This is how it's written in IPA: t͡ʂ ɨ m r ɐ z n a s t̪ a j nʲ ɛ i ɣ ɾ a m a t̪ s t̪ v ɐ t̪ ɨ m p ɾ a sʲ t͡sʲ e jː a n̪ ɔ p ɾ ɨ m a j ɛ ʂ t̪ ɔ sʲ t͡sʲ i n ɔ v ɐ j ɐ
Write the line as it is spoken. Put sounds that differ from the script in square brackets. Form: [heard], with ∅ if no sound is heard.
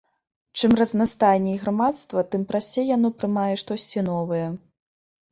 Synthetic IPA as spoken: t͡ʂ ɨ m r ɐ z n a s t̪ a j nʲ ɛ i ɣ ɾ a m a t̪ s t̪ v ɐ t̪ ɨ m p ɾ a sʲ t͡sʲ e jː a n̪ ɔ p ɾ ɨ m a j ɛ ʂ t̪ ɔ sʲ t͡sʲ i n ɔ v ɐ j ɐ